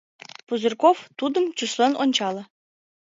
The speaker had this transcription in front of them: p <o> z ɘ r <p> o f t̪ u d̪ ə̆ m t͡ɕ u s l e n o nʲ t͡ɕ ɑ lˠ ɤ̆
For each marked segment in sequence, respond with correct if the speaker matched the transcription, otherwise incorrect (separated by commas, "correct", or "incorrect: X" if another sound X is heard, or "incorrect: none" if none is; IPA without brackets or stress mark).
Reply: incorrect: u, incorrect: k